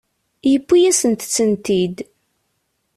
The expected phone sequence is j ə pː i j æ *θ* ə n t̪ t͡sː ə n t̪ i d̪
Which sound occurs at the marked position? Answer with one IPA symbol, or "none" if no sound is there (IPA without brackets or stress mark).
s